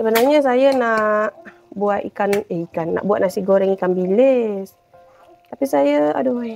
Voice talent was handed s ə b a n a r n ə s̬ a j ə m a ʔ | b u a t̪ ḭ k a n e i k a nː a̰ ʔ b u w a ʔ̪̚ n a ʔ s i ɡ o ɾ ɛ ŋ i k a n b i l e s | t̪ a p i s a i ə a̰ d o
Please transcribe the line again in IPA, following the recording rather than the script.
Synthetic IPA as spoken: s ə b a n a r ɲ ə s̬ a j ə n a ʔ | b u a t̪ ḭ k a n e i k a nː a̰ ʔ b u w a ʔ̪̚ n a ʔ s i ɡ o ɾ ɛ ŋ i k a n b i l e s | t̪ a p i s a j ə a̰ d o